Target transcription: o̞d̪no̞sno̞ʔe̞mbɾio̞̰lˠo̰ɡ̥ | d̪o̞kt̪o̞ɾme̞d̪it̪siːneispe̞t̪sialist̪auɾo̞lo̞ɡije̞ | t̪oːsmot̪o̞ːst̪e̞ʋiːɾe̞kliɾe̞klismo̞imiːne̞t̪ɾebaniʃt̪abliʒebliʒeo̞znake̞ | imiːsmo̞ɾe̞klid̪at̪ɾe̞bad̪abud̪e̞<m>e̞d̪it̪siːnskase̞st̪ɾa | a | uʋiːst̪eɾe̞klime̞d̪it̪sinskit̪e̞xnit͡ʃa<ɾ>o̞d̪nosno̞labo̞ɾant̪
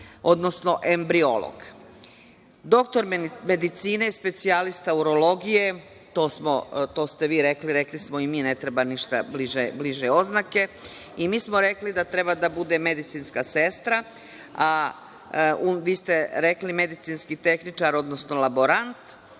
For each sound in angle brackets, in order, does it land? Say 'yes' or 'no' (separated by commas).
yes, yes